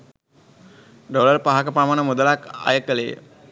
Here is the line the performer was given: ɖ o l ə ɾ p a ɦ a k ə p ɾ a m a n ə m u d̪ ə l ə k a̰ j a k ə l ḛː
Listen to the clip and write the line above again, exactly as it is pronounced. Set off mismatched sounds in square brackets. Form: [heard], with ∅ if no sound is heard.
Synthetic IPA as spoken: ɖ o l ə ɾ p a ɦ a k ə p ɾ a m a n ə m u d̪ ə l [a] k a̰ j [ə] k ə l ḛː